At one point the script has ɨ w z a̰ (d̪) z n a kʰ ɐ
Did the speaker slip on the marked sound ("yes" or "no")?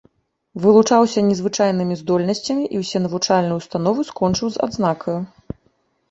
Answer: no